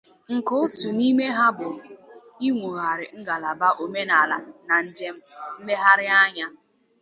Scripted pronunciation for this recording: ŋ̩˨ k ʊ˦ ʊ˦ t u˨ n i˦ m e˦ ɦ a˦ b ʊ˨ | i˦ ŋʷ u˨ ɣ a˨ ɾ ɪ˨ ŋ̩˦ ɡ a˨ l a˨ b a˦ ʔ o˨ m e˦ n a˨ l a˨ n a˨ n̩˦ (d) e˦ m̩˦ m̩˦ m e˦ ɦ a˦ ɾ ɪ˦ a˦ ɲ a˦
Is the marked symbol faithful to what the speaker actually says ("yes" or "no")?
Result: no